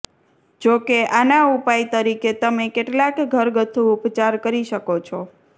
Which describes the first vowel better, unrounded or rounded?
rounded